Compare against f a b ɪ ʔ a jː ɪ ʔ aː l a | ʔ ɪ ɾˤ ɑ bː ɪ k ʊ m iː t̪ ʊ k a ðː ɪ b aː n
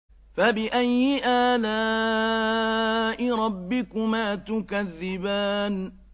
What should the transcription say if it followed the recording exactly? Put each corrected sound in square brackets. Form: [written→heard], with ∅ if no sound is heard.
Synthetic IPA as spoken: f a b ɪ ʔ a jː ɪ ʔ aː l a | ʔ ɪ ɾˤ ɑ bː ɪ k ʊ m [iː→aː] t̪ ʊ k a ðː ɪ b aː n